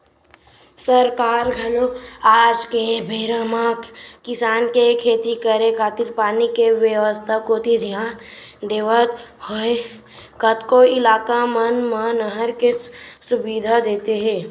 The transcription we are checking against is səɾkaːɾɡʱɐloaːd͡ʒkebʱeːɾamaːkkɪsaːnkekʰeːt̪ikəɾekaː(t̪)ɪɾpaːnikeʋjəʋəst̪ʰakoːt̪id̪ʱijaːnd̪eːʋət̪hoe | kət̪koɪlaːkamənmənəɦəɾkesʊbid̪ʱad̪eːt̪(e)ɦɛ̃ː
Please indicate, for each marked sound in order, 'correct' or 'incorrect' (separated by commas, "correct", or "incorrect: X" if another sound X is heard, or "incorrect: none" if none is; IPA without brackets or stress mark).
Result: correct, correct